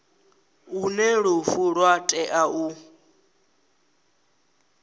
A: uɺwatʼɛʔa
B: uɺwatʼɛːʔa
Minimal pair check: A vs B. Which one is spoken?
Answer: A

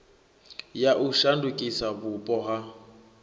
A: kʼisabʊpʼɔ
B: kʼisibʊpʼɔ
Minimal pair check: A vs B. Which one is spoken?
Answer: A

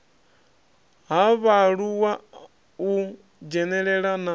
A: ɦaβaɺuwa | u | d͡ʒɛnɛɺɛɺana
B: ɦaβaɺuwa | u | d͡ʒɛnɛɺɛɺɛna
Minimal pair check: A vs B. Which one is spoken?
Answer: A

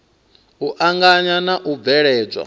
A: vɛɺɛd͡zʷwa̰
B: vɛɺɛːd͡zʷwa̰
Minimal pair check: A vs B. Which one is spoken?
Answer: B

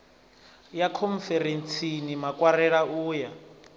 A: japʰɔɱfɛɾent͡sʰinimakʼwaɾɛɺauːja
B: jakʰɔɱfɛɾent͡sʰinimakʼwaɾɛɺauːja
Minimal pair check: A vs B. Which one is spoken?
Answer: B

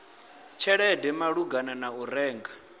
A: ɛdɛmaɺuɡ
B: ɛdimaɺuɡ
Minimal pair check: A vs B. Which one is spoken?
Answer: A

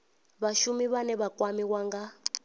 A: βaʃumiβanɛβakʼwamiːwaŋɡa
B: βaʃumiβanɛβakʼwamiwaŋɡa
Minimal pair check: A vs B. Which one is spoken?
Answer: B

